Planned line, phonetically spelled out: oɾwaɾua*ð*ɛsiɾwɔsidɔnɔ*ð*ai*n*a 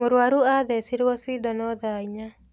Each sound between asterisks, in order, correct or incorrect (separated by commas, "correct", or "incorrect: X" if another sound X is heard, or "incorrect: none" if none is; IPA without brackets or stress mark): correct, correct, incorrect: ɲ